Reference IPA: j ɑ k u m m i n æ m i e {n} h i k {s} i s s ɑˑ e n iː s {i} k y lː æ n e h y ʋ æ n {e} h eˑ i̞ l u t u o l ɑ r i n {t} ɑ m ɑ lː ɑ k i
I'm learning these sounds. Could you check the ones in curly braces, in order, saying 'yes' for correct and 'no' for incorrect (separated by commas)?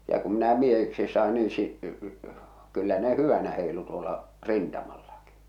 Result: no, yes, yes, no, yes